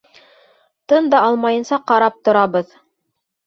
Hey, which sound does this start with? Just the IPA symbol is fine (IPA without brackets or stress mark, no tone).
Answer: t̪